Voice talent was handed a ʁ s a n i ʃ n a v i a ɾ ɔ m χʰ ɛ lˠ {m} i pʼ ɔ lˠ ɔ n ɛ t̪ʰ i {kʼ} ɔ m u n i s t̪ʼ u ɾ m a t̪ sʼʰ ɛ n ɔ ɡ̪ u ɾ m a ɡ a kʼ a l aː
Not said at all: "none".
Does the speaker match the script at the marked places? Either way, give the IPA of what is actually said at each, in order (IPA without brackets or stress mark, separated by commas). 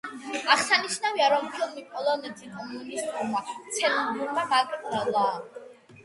m, kʼ